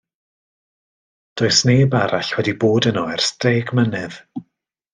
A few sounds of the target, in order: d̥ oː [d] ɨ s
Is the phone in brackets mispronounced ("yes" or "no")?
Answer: yes